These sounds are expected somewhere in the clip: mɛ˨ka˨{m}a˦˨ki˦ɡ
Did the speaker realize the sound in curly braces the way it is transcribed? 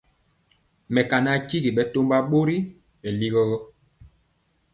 no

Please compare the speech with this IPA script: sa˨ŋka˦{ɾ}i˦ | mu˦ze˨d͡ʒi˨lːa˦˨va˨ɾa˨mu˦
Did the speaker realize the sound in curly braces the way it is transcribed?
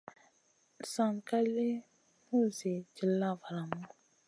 no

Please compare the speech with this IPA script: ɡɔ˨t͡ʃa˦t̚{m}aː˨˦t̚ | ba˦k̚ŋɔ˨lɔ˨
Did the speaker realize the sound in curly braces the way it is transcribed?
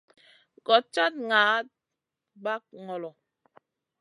no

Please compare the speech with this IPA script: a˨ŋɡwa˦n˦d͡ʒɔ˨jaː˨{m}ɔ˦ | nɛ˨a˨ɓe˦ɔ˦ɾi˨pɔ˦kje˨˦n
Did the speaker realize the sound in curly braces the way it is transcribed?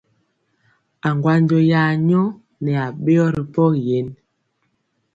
no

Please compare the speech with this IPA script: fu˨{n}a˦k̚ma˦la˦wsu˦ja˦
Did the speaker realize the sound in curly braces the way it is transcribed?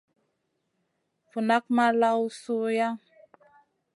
yes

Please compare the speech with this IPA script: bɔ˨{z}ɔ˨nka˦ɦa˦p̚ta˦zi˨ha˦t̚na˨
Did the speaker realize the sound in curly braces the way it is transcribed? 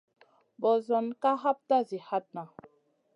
yes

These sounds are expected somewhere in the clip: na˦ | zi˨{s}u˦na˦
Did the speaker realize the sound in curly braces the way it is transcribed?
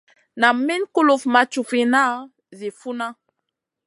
no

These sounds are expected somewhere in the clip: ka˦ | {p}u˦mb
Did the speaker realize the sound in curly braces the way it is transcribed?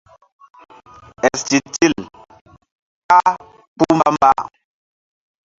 yes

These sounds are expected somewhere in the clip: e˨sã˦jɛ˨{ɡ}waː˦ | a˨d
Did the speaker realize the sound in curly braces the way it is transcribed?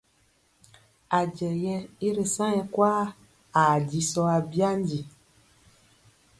no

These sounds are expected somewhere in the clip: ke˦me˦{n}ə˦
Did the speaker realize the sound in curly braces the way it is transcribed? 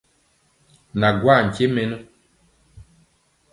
yes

